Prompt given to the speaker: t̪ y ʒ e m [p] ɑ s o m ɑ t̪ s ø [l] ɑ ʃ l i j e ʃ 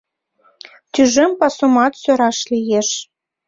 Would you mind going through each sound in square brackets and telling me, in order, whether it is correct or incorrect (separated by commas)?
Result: correct, incorrect